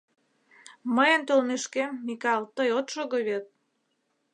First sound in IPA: m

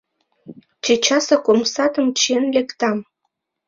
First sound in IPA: t͡ɕ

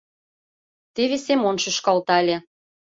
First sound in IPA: t̪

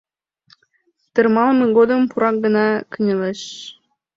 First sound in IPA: t̪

